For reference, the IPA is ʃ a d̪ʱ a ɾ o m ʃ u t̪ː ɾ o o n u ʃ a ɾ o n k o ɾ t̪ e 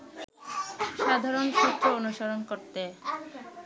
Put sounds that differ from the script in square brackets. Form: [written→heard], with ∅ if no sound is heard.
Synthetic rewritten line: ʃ a d̪ʱ a ɾ o [m→n] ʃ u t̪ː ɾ o o n u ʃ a ɾ o n k o ɾ t̪ e